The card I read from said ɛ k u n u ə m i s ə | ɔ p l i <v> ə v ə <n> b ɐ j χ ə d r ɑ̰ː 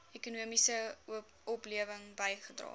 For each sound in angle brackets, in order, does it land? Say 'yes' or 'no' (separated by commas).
no, no